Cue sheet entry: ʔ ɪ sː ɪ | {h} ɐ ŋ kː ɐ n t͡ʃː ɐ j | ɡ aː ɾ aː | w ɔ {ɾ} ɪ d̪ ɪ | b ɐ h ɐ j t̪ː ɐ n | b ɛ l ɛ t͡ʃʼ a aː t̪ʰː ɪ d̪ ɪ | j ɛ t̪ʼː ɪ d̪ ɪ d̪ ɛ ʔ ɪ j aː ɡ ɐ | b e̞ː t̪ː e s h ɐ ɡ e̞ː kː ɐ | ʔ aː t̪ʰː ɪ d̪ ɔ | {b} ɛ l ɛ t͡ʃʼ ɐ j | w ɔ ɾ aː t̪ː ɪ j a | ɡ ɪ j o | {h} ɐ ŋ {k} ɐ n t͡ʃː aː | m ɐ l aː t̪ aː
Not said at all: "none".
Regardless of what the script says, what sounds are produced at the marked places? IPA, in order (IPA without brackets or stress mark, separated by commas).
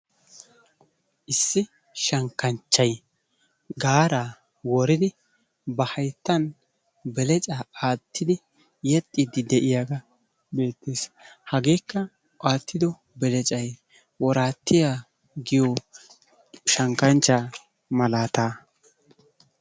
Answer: ʃ, ɾ, b, ʃ, k